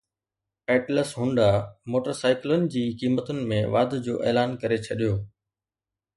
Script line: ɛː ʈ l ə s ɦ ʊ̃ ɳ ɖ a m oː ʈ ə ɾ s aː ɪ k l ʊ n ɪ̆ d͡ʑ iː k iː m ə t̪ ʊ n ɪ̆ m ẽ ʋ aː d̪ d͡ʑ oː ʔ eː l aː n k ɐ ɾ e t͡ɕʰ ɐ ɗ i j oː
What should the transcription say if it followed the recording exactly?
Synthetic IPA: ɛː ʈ l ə s ɦ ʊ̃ ɳ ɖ a m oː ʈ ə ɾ s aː ɪ k l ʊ n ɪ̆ d͡ʑ iː k iː m ə t̪ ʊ n ɪ̆ m ẽ ʋ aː d̪ d͡ʑ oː ʔ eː l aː n k ɐ ɾ e t͡ɕʰ ɐ ɗ i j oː